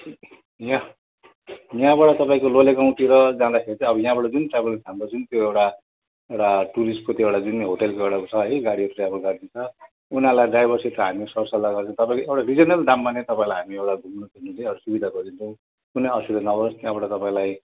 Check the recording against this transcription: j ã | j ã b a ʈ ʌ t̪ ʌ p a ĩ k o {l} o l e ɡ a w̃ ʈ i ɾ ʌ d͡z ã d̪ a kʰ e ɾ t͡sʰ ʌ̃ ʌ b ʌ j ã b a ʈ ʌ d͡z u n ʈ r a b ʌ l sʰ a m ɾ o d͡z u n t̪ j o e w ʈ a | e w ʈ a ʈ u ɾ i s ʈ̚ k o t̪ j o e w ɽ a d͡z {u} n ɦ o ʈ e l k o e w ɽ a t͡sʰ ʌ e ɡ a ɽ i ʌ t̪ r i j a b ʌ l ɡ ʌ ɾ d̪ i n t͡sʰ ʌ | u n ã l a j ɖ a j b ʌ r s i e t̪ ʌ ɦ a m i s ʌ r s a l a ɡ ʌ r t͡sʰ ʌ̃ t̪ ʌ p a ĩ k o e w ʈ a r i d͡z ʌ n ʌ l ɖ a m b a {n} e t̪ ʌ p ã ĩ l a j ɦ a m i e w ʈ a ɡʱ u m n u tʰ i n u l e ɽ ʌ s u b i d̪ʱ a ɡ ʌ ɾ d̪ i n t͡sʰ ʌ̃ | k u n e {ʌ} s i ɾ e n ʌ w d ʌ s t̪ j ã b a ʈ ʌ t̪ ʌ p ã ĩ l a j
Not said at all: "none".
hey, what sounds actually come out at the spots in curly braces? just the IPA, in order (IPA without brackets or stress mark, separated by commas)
l, u, n, ʌ